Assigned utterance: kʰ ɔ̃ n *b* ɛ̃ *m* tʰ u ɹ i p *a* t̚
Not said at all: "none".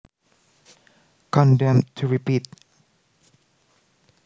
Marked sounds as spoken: d, m, i

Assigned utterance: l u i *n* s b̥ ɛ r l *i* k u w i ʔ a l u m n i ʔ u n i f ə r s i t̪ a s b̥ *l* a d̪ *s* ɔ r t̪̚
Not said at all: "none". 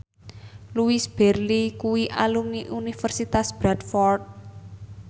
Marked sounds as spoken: none, i, ɾ, f

